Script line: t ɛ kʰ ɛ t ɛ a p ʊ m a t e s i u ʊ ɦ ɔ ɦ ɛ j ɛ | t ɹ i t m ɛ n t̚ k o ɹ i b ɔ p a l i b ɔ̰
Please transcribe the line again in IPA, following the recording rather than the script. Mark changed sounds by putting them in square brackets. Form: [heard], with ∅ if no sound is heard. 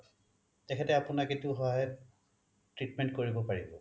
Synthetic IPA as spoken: t ɛ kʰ ɛ t ɛ a p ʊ [n] a [k] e [t] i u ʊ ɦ ɔ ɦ [a] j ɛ | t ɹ i t m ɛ n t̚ k o ɹ i b ɔ p a [ɹ] i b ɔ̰